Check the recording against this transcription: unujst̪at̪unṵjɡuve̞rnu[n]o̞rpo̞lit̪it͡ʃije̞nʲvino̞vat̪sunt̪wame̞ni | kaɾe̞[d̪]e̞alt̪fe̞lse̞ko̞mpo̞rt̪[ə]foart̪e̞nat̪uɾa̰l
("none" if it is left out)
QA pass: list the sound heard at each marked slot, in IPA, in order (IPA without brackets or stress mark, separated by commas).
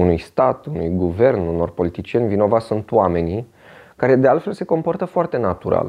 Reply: n, d̪, ə